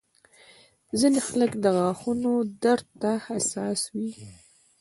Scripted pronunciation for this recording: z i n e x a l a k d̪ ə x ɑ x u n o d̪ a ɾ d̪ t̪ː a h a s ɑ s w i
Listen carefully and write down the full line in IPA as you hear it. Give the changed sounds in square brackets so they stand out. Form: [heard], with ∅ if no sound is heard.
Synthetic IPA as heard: z i n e x a l [ə] k d̪ ə [ɣ] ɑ x u n o d̪ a ɾ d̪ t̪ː a h a s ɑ s w i

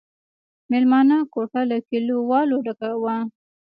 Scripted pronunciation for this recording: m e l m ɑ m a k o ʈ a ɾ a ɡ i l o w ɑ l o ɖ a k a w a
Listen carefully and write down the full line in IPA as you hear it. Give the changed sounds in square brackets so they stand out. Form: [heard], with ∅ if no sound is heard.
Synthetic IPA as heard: m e l m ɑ [n] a k o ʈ a [l] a [k] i l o w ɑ l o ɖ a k a w a

